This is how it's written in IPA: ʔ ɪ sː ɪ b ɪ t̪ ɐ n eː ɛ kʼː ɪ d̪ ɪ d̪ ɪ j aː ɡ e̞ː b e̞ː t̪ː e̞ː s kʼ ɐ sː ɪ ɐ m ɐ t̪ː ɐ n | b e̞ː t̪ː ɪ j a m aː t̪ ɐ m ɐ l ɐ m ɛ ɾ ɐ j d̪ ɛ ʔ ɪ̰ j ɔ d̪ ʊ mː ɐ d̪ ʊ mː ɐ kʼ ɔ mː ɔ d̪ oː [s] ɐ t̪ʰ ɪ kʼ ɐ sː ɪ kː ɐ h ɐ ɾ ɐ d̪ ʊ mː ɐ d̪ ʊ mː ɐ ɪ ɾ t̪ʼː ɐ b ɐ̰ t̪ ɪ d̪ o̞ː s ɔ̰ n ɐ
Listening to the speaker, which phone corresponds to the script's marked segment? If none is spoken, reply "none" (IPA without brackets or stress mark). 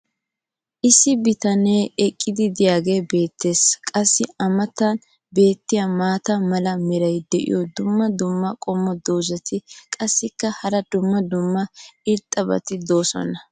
z